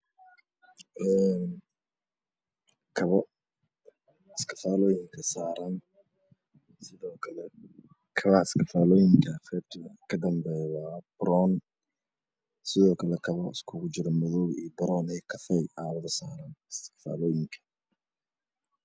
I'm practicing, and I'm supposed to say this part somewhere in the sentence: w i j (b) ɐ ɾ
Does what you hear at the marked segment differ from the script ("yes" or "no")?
no